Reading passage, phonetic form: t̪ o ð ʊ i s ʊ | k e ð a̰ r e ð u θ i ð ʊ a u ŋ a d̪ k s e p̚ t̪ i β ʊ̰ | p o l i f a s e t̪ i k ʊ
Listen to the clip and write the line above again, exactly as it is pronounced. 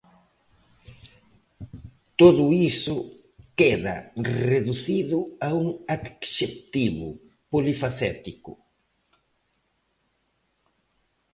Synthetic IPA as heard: t̪ o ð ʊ i s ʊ | k e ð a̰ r e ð u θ i ð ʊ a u ŋ a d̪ k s e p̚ t̪ i β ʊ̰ | p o l i f a s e t̪ i k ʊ